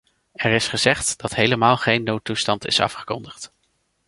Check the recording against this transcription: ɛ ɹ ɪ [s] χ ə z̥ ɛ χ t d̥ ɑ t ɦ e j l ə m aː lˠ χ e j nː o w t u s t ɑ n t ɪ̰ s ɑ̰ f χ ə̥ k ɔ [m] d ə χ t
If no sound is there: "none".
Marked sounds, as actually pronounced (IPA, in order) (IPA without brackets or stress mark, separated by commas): s, n